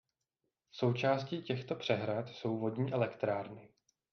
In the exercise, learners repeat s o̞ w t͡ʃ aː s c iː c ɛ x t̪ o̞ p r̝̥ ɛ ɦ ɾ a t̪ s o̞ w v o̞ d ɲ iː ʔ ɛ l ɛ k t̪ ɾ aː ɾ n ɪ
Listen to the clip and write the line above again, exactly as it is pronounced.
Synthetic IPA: s o̞ w t͡ʃ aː s c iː c ɛ x t̪ o̞ p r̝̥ ɛ ɦ ɾ a t̪ s o̞ w v o̞ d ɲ iː ʔ ɛ l ɛ k t̪ ɾ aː ɾ n ɪ